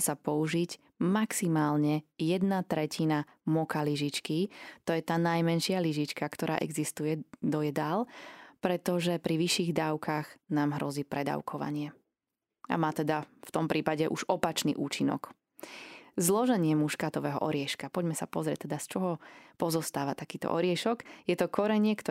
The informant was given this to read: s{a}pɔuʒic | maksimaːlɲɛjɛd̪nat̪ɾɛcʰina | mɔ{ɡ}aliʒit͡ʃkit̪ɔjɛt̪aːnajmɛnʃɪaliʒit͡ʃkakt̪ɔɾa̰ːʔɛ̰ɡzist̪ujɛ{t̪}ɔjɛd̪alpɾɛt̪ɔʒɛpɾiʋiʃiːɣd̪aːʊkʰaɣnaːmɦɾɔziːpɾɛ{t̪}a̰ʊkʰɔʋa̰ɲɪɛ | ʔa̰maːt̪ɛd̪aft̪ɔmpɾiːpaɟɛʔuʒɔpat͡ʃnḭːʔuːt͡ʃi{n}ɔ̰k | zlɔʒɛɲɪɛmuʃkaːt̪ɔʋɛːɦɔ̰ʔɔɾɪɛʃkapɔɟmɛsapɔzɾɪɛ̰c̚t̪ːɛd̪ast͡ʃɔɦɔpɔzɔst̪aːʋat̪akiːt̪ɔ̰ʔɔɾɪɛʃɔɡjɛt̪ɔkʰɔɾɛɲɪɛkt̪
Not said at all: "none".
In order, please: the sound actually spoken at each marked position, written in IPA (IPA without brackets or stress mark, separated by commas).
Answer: a, k, d̪, d̪, n